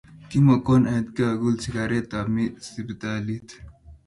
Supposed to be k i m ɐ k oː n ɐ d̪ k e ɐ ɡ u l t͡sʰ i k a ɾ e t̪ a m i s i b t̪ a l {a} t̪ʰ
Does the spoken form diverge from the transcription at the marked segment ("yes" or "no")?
yes